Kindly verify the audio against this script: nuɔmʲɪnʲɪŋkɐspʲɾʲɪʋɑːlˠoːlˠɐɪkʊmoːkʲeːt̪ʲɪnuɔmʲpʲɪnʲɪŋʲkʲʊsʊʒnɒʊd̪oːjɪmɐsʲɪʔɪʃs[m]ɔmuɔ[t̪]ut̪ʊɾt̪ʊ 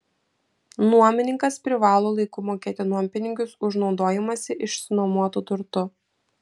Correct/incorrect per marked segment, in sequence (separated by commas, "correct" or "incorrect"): incorrect, correct